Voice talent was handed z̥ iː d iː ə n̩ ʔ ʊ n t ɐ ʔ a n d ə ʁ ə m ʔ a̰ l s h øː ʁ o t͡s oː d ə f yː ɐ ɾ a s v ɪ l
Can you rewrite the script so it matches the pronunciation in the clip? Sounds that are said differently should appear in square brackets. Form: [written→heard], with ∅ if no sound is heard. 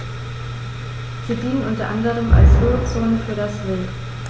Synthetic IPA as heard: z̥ iː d iː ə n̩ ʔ ʊ n t ɐ ʔ a n d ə ʁ ə m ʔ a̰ l s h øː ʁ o t͡s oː [d→n] ə f yː ɐ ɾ a s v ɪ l